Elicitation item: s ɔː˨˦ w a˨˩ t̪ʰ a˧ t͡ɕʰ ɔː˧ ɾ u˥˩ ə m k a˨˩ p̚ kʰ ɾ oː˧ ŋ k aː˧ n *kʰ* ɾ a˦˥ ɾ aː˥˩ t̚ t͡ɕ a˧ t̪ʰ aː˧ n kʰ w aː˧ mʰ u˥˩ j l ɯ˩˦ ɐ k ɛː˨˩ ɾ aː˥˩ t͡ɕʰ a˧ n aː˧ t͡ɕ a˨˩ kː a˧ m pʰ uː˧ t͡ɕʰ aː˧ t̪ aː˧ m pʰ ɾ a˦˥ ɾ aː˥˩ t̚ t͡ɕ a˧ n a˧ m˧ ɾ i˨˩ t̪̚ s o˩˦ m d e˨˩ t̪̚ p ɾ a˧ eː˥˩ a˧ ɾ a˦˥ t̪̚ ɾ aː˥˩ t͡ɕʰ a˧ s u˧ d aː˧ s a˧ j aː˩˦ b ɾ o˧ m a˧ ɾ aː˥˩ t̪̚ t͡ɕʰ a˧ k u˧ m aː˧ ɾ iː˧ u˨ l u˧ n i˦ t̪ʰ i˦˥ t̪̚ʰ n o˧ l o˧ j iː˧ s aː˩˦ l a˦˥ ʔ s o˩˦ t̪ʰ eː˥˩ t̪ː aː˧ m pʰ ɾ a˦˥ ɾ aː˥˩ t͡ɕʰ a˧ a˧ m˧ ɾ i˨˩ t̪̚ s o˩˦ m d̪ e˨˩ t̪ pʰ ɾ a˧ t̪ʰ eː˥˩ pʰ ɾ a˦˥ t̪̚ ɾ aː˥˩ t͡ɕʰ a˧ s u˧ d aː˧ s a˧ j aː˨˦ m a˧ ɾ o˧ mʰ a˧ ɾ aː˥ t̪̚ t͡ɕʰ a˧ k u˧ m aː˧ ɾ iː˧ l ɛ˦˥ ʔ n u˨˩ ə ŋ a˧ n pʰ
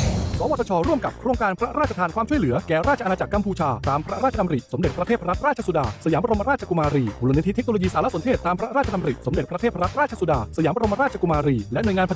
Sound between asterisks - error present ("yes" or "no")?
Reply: yes